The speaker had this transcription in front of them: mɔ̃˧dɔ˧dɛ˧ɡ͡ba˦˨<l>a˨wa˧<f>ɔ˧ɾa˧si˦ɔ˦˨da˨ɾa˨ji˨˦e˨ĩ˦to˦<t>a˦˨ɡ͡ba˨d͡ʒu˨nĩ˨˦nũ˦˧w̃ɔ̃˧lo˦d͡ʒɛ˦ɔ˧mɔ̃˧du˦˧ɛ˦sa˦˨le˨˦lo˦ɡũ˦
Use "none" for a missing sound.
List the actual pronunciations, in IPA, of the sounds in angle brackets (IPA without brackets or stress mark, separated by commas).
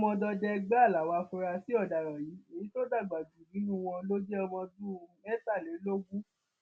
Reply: l, f, d